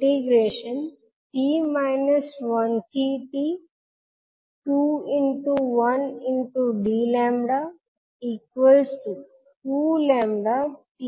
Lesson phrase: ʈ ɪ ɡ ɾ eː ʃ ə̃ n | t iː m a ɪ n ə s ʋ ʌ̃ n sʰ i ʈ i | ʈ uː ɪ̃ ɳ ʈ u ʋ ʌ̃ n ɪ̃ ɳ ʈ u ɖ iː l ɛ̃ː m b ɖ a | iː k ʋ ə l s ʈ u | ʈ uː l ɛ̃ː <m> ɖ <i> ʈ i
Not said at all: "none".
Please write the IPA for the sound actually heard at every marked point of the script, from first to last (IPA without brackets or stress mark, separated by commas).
m, a